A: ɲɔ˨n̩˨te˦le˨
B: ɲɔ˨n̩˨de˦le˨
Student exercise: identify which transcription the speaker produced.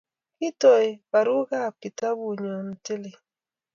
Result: A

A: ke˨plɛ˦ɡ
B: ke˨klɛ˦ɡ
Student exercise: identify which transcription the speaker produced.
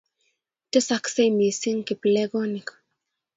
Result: A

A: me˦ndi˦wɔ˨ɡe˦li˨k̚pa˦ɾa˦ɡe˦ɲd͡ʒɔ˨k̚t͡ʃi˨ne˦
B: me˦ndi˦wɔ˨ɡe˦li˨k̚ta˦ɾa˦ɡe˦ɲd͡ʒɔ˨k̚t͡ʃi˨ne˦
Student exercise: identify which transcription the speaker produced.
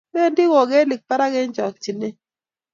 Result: A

